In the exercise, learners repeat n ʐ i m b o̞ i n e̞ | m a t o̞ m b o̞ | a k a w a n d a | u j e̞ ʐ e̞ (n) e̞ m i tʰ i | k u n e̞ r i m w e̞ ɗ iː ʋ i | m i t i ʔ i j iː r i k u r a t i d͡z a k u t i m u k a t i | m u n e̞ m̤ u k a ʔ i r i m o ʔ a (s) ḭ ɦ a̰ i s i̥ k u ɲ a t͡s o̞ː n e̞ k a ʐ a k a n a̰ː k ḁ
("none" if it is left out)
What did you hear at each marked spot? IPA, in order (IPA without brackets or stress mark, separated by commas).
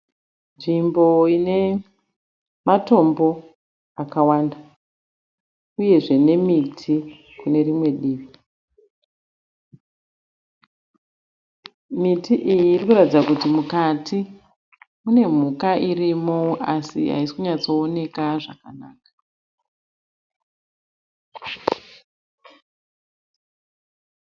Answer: n, s